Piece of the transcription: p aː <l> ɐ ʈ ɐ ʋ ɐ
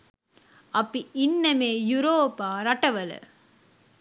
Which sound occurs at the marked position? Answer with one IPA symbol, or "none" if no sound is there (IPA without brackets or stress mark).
ɾ